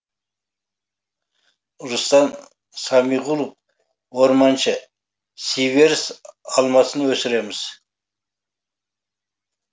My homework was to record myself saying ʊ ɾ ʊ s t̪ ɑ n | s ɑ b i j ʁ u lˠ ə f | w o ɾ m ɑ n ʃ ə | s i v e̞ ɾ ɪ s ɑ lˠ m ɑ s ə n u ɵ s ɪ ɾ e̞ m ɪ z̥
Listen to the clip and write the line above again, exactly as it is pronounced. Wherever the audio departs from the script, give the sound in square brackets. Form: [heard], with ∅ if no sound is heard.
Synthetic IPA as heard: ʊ ɾ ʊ s t̪ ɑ n | s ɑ [m] i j ʁ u lˠ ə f | w o ɾ m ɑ n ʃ ə | s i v e̞ ɾ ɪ s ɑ lˠ m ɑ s ə n [w] ɵ s ɪ ɾ e̞ m ɪ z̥